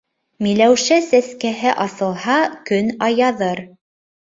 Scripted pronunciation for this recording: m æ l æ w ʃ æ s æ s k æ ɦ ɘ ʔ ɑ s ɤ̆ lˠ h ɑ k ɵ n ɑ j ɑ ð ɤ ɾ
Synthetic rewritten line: m i l æ w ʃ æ s æ s k æ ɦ ɘ ʔ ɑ s ɤ̆ lˠ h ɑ k ɵ n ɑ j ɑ ð ɤ ɾ

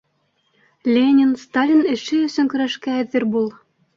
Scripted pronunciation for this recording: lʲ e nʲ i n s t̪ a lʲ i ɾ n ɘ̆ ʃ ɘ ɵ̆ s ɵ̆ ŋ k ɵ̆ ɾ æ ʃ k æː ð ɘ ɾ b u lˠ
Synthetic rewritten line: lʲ e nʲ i n s t̪ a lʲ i n ɘ̆ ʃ ɘ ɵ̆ s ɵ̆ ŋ k ɵ̆ ɾ æ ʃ k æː ð ɘ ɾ b u lˠ

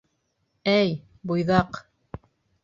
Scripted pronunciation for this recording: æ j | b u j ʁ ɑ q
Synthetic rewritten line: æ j | b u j ð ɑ q

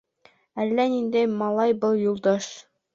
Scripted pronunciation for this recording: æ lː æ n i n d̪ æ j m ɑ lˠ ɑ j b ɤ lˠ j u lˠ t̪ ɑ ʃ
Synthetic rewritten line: æ lː æ n i n d̪ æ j m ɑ lˠ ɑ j b ɤ lˠ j u lˠ d̪ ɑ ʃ

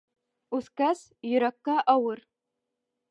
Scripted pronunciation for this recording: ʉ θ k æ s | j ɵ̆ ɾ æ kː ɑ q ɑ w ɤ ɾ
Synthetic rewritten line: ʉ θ k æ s | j ɵ̆ ɾ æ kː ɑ ʔ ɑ w ɤ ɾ

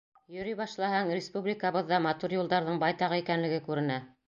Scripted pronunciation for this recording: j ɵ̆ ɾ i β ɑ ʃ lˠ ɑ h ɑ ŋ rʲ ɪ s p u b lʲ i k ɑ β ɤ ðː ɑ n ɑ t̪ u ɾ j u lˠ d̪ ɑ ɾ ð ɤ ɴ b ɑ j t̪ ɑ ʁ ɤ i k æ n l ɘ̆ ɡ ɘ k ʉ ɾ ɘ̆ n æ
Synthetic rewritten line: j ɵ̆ ɾ i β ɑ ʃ lˠ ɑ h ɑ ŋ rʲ ɪ s p u b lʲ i k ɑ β ɤ ðː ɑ m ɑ t̪ u ɾ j u lˠ d̪ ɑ ɾ ð ɤ ɴ b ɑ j t̪ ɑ ʁ ɤ i k æ n l ɘ̆ ɡ ɘ k ʉ ɾ ɘ̆ n æ

